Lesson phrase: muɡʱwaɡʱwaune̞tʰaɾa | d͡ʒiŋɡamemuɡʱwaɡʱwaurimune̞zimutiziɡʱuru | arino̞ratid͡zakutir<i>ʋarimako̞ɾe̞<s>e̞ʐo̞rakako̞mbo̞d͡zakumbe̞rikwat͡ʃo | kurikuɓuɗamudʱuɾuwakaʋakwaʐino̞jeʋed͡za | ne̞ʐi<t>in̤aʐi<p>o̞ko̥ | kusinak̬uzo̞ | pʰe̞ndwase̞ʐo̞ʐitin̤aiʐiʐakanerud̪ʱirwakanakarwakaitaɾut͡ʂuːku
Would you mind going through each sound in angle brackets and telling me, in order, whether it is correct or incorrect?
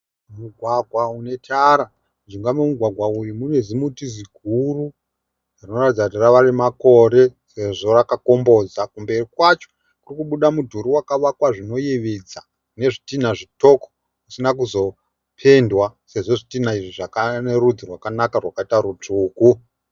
incorrect: a, correct, correct, incorrect: t

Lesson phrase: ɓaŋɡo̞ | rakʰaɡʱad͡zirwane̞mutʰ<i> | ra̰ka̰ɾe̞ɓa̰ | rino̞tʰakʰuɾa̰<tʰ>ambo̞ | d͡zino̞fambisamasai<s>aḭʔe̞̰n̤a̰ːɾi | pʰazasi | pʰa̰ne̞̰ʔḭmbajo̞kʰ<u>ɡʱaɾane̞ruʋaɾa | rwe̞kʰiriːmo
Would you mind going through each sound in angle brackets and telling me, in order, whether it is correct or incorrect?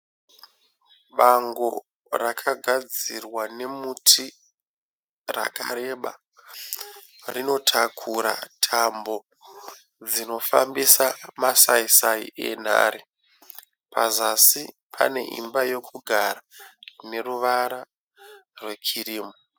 correct, correct, correct, correct

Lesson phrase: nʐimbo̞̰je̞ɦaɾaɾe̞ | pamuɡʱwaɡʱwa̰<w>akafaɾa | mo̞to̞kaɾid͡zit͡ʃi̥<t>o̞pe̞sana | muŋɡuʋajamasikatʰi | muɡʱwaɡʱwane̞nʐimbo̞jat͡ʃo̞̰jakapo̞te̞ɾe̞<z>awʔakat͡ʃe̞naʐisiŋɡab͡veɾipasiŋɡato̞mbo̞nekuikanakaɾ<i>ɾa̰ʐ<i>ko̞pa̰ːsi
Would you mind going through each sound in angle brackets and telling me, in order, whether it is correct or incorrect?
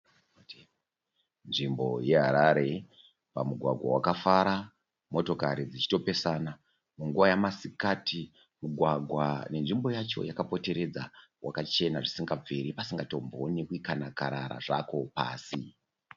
correct, correct, incorrect: d͡z, incorrect: a, incorrect: a

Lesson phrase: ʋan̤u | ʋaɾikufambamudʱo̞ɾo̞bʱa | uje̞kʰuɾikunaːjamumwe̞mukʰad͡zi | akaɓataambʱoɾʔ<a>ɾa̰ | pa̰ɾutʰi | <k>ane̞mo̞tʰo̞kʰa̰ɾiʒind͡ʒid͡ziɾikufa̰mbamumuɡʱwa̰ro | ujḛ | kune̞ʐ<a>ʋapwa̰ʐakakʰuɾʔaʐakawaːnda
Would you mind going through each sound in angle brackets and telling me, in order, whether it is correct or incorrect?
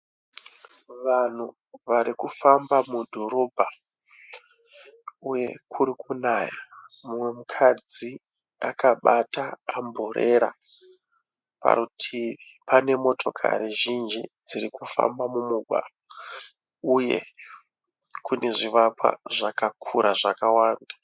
incorrect: e, incorrect: p, incorrect: i

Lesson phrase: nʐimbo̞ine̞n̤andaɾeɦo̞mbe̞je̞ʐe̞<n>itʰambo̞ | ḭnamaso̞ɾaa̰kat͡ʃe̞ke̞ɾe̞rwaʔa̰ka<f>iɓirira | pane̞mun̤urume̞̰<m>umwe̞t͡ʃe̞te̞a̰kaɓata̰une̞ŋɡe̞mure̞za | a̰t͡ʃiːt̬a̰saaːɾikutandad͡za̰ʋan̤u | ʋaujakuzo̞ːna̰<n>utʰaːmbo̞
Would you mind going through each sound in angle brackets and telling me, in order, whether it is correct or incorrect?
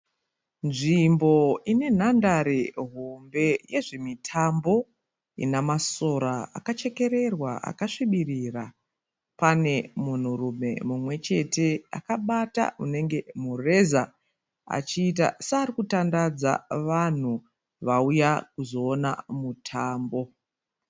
incorrect: m, incorrect: ʂ, correct, incorrect: m

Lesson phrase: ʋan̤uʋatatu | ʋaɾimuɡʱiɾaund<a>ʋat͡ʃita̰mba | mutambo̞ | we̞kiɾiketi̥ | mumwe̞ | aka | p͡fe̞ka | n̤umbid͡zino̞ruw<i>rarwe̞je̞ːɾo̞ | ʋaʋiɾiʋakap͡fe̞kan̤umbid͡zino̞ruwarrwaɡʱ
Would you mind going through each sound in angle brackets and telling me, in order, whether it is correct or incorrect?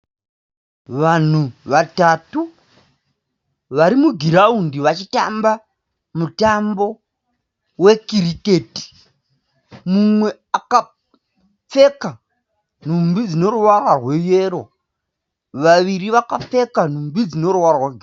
incorrect: i, incorrect: a

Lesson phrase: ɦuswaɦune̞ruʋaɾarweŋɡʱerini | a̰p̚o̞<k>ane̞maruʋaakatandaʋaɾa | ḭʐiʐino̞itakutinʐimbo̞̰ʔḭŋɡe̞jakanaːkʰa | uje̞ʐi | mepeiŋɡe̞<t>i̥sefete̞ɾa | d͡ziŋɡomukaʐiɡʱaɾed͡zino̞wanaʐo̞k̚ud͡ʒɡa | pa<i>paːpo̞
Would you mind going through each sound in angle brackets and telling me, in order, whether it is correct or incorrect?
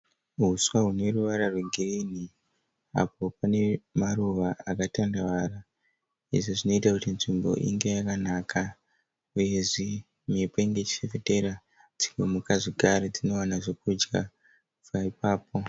incorrect: p, incorrect: t͡ʃ, correct

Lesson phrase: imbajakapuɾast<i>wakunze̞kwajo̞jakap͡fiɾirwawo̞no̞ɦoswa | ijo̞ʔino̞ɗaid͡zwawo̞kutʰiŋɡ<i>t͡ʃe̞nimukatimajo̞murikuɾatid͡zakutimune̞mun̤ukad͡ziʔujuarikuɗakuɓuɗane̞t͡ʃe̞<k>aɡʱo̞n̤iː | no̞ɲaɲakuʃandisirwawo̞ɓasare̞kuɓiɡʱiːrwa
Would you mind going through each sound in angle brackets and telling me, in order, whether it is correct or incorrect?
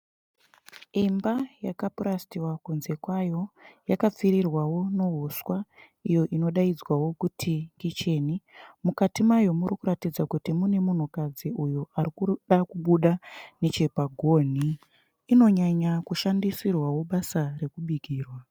correct, correct, incorrect: p

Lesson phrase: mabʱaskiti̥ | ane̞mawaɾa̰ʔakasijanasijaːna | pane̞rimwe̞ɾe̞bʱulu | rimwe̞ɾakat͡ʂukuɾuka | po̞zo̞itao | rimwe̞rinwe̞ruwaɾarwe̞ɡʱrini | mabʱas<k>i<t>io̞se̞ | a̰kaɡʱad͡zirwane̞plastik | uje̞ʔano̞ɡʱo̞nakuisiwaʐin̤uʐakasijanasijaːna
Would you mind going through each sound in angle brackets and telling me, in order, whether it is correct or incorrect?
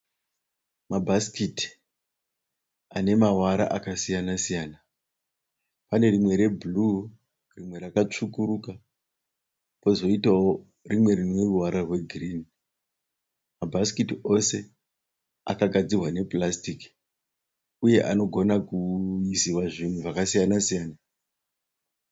correct, correct

